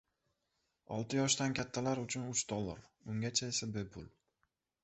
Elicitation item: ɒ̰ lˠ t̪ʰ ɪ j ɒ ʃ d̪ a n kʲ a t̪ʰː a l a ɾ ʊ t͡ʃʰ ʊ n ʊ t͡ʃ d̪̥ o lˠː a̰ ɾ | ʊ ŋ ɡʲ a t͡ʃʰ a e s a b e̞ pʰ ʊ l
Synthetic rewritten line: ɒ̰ lˠ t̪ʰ ɪ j ɒ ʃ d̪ a n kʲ a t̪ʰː a l a ɾ ʊ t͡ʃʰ ʊ n ʊ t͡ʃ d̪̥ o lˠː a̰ ɾ | ʊ ŋ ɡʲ a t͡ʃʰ a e s a b e̞ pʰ ʊ l